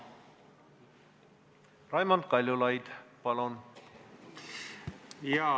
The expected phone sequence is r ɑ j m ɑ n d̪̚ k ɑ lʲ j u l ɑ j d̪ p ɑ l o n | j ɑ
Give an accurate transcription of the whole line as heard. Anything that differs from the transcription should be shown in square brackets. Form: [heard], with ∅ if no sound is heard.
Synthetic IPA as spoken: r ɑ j m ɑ n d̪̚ k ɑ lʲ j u l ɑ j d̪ p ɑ l o n | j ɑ